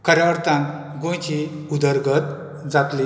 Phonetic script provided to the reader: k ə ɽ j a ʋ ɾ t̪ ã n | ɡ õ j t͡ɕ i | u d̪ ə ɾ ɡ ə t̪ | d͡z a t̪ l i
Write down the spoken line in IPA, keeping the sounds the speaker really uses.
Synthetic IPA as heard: k ə ɾ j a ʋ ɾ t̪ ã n | ɡ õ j t͡ɕ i | u d̪ ə ɾ ɡ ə t̪ | d͡z a t̪ l i